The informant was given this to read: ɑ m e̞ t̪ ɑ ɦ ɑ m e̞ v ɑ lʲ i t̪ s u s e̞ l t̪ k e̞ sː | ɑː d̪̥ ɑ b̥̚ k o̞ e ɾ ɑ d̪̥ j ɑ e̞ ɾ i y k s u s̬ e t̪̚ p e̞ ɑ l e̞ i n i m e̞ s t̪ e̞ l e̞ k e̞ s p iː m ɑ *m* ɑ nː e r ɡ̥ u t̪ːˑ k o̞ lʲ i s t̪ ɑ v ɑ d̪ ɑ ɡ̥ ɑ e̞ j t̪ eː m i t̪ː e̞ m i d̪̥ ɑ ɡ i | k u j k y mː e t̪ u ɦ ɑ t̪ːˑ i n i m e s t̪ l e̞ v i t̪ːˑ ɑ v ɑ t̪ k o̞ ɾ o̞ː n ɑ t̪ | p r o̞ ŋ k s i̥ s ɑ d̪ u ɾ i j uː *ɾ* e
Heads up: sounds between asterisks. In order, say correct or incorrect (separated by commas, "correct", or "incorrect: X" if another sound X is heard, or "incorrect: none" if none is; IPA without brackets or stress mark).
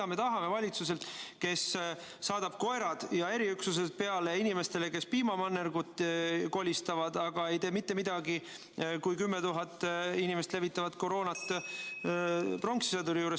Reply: correct, correct